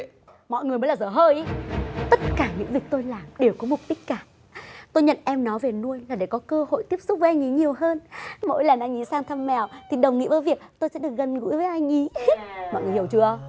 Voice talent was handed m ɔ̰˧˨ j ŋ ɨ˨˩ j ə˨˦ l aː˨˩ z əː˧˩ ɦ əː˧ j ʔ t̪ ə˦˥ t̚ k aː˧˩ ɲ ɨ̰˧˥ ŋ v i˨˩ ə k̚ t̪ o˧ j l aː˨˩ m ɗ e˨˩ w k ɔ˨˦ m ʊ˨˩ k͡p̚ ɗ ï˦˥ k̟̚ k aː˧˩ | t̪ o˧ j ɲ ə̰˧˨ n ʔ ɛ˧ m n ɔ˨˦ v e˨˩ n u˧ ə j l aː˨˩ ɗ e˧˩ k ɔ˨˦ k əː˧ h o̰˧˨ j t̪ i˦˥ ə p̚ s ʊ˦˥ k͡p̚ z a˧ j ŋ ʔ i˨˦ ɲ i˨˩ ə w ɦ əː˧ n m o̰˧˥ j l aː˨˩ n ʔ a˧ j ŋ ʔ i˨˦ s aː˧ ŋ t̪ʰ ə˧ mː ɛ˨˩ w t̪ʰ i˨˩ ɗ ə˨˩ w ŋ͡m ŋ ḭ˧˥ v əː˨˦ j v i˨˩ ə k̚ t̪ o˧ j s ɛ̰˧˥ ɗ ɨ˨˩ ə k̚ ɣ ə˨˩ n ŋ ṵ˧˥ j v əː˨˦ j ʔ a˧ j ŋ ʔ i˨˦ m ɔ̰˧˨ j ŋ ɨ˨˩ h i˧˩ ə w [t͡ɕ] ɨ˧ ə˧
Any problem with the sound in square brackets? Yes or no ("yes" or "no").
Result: no